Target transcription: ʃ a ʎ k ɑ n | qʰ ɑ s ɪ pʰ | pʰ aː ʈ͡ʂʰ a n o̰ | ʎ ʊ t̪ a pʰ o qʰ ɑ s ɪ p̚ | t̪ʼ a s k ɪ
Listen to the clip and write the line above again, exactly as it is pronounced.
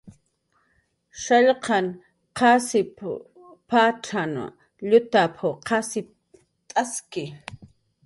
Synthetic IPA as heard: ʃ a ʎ q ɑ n | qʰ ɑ s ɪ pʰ | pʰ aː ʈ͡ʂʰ a n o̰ | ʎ ʊ t̪ a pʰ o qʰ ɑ s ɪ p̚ | t̪ʼ a s k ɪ